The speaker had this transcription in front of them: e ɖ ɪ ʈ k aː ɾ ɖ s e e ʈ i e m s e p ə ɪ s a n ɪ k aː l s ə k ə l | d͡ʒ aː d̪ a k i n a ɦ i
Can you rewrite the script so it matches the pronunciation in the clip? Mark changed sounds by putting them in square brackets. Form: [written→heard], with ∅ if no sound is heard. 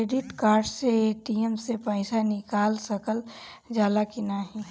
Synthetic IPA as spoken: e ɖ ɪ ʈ k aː ɾ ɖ s e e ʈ i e m s e p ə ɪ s a n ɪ k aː l s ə k ə l | d͡ʒ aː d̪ a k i n a ɦ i